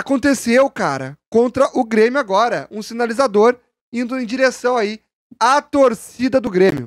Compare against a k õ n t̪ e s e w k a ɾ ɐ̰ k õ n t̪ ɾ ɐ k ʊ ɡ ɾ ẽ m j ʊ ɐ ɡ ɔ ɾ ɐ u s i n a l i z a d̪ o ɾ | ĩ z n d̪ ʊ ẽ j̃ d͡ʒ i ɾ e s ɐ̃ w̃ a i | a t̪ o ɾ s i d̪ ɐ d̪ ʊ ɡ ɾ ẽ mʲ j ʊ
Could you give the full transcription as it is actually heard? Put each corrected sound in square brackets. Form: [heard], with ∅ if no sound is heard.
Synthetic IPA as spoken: a k õ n t̪ e s e w k a ɾ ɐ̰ k õ n t̪ ɾ ɐ [ʔ] ʊ ɡ ɾ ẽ m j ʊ [a] ɡ ɔ ɾ ɐ [ũ] s i n a l i z a d̪ o ɾ | ĩ [∅] n d̪ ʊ ẽ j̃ d͡ʒ i ɾ e s ɐ̃ w̃ a i | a t̪ o ɾ s i d̪ ɐ d̪ ʊ ɡ ɾ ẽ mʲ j ʊ